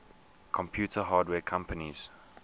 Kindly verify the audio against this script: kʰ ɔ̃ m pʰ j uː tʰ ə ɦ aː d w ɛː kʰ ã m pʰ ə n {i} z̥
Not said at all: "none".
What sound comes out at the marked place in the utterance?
i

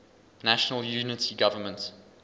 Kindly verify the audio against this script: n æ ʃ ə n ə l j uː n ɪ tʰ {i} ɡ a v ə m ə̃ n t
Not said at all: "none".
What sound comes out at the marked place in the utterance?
i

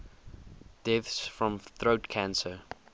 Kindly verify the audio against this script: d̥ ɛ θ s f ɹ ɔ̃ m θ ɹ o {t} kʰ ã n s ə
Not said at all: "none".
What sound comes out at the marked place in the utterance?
t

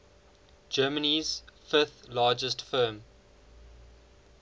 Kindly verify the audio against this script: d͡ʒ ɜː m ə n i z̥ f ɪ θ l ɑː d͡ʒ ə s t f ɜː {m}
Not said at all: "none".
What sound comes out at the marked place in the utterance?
m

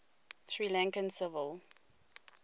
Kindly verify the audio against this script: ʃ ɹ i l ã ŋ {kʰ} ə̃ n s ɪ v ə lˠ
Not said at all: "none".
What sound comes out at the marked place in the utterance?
k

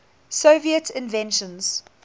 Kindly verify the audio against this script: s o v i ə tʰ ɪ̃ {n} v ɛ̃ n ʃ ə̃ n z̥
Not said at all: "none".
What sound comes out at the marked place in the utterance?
n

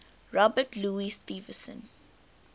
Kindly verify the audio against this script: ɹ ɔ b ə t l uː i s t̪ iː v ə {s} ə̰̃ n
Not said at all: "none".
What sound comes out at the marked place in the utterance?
s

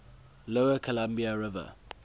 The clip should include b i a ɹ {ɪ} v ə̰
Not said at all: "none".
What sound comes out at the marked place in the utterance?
ɪ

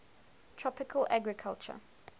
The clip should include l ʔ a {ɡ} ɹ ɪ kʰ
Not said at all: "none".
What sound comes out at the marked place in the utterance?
ɡ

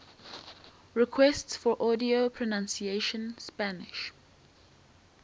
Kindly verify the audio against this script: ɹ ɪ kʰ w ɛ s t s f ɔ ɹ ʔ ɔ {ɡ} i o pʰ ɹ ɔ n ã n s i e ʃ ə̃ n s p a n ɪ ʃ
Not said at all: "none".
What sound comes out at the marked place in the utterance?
d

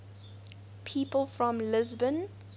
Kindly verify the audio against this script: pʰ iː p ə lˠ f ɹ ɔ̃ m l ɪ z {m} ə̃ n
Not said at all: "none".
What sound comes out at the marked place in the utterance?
b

